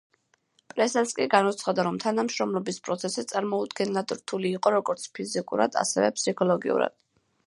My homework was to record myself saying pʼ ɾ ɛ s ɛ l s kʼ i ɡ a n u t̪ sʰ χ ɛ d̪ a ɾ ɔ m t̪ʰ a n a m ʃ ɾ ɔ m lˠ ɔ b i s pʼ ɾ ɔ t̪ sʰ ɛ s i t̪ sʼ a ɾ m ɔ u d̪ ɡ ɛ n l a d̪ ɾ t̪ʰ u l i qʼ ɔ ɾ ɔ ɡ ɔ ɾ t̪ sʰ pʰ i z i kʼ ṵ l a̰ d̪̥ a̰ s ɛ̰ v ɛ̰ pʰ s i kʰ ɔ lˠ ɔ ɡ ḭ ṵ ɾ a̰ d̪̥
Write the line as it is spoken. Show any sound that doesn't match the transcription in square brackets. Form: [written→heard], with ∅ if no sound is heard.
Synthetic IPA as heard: pʼ ɾ ɛ s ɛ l s kʼ i ɡ a n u t̪ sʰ χ [ɛ→a] d̪ a ɾ ɔ m t̪ʰ a n a m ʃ ɾ ɔ m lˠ ɔ b i s pʼ ɾ ɔ t̪ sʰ ɛ s i t̪ sʼ a ɾ m ɔ u d̪ ɡ ɛ n l a d̪ ɾ t̪ʰ u l [i→iː] qʼ ɔ ɾ ɔ ɡ ɔ ɾ t̪ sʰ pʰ i z i kʼ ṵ [l→ɾ] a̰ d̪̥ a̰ s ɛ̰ v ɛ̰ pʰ s i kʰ ɔ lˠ ɔ ɡ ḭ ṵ ɾ a̰ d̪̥